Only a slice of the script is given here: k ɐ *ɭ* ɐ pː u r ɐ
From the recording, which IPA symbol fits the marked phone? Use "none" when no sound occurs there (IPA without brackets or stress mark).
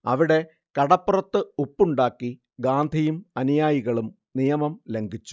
ɽ